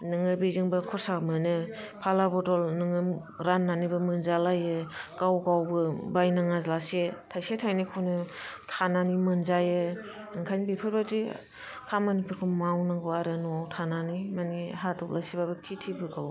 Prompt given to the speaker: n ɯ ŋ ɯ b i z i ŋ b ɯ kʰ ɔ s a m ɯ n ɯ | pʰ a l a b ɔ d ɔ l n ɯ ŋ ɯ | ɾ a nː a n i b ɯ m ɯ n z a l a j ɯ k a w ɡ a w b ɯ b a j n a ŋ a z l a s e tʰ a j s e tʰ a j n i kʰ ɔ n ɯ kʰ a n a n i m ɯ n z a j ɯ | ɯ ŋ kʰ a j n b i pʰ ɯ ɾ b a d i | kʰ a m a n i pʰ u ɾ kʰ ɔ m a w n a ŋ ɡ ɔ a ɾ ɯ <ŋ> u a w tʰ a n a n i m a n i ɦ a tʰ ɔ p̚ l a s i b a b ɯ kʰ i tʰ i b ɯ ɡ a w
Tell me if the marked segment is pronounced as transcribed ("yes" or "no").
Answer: no